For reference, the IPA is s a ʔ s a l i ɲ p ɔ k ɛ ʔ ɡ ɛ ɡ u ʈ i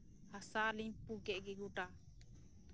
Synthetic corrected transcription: h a s a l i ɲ p u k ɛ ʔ ɡ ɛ ɡ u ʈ a